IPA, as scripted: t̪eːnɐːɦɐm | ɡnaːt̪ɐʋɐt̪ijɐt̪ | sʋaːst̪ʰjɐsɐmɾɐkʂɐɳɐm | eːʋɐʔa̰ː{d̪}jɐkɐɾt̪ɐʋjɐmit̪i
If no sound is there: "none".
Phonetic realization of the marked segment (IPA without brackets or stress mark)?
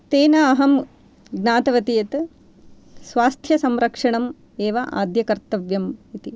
d̪